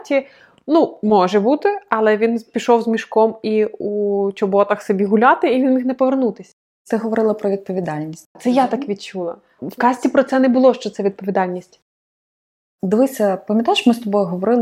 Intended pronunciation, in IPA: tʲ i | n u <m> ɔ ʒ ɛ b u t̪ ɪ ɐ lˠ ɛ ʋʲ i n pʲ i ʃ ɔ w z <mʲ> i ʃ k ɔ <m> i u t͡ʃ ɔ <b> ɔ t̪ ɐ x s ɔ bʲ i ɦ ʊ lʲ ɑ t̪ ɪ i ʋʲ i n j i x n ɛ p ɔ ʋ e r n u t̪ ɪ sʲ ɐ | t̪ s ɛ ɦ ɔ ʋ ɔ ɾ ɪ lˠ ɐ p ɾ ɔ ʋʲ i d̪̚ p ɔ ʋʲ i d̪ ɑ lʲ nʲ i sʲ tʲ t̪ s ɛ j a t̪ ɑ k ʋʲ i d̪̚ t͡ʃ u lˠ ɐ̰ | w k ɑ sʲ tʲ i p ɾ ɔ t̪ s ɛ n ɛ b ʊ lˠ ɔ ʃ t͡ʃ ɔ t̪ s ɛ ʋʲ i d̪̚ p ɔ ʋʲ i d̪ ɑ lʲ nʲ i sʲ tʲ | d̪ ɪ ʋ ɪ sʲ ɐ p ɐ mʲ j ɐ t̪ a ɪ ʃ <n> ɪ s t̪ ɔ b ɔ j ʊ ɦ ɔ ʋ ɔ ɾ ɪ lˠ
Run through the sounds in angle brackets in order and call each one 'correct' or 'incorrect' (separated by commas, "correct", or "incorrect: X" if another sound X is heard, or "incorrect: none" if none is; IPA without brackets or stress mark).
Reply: correct, correct, correct, correct, incorrect: m